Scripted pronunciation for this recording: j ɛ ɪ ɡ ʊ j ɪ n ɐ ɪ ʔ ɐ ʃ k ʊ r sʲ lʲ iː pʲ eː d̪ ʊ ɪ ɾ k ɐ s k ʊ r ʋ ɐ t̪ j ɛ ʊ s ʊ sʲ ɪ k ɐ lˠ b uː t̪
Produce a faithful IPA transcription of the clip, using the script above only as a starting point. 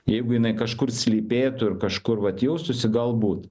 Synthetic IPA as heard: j ɛ ɪ ɡ ʊ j ɪ n ɐ ɪ k ɐ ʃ k ʊ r sʲ lʲ iː pʲ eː t̪ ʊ ɪ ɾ k ɐ ʃ k ʊ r ʋ ɐ t̪ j ɛ ʊ s ʊ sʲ ɪ ɡ ɐ lˠ b uː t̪